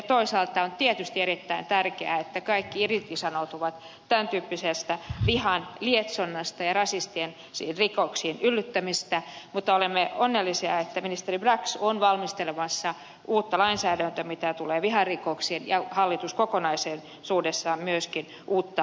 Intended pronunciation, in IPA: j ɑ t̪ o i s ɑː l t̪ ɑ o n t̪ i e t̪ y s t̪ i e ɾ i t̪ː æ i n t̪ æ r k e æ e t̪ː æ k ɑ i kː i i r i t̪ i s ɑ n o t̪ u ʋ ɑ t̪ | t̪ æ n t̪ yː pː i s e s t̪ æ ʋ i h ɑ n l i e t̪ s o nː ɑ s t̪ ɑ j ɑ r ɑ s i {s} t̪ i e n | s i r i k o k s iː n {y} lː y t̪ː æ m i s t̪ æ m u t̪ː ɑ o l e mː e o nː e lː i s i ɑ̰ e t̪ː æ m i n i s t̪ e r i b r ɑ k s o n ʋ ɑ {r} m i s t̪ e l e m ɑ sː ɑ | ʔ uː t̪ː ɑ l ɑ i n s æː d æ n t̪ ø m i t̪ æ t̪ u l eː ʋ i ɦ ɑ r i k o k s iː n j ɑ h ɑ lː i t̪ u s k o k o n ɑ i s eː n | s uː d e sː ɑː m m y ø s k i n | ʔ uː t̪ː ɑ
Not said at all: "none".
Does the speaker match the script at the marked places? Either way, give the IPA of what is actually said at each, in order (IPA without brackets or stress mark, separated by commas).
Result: s, y, l